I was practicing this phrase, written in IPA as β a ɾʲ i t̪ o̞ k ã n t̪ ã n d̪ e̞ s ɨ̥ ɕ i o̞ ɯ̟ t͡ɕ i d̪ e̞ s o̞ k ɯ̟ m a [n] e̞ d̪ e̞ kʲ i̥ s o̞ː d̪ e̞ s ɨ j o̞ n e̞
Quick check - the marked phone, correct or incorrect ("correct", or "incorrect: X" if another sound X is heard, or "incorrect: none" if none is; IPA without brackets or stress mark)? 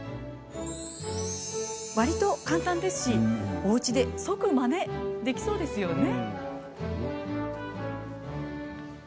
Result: correct